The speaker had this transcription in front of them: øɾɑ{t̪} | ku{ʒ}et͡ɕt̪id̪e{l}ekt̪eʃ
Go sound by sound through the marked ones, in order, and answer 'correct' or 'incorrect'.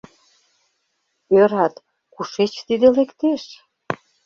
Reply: correct, incorrect: ʃ, correct

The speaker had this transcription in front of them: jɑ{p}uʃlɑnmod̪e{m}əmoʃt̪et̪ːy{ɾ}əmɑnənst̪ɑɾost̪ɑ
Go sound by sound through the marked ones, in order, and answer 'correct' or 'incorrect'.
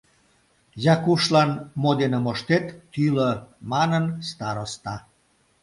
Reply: incorrect: k, incorrect: n, incorrect: l

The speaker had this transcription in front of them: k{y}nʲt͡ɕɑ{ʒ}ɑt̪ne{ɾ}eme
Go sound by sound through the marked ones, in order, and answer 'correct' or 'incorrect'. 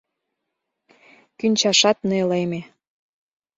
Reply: correct, incorrect: ʃ, incorrect: l

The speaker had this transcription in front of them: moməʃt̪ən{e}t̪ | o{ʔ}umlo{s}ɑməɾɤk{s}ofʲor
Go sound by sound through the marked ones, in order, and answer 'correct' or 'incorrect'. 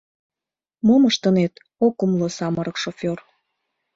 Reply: correct, incorrect: k, correct, incorrect: ʃ

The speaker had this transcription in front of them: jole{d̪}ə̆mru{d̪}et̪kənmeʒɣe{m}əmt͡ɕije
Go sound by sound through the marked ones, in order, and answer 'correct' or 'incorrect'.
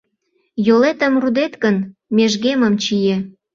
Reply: incorrect: t̪, correct, correct

